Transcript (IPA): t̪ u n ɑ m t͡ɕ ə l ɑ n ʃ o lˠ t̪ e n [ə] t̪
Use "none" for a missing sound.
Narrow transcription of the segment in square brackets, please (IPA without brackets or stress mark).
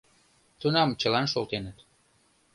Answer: ə